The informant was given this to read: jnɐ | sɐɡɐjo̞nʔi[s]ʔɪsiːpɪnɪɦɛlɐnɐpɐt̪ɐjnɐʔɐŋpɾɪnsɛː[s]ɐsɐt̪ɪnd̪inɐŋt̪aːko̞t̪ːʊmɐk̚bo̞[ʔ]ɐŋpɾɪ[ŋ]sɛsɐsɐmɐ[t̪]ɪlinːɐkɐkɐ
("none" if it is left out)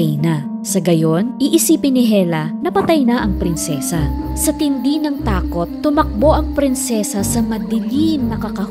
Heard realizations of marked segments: none, s, ʔ, n, d̪

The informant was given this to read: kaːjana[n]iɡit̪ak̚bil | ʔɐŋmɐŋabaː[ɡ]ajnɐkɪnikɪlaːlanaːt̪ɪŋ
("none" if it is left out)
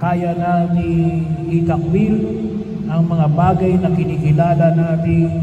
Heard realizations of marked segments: n, ɡ

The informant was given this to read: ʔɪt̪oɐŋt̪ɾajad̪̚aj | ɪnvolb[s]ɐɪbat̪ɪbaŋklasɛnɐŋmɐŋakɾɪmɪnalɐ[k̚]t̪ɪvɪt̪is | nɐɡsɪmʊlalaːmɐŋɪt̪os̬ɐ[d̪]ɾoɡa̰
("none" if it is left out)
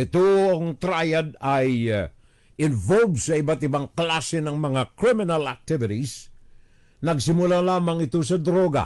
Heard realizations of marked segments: s, k̚, d̪

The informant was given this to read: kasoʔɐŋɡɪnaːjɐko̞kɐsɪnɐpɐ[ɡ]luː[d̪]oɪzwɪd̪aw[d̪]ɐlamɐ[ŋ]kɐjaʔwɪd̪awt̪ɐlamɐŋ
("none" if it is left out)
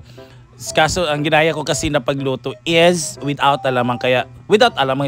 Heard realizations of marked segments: ɡ, t̪, t̪, ŋ

